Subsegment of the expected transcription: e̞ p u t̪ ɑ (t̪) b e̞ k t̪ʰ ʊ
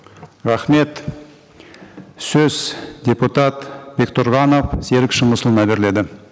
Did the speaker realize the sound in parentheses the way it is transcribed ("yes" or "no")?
yes